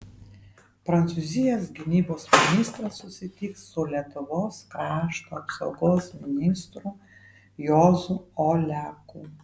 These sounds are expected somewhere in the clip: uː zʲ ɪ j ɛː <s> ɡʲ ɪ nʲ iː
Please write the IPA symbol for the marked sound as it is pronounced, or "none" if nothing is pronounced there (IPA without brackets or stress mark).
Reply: s